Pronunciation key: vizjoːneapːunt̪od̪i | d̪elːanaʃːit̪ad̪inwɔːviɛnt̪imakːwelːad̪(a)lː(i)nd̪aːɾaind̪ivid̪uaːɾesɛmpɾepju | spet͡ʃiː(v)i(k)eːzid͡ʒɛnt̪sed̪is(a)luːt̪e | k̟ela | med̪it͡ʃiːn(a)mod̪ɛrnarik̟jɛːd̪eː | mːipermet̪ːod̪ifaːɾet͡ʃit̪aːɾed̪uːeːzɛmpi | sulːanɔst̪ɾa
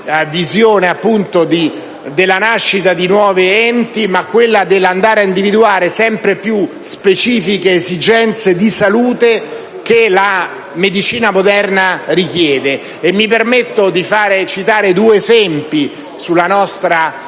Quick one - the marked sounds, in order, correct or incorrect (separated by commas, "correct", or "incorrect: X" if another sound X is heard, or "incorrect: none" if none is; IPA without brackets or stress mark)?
incorrect: e, incorrect: a, incorrect: f, correct, correct, correct